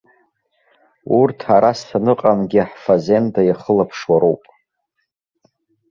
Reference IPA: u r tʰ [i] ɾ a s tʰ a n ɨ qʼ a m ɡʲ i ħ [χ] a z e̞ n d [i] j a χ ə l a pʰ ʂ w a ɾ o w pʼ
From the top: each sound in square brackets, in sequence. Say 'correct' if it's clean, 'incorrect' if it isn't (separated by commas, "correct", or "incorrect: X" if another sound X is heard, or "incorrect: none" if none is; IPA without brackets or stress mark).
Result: incorrect: a, incorrect: f, incorrect: a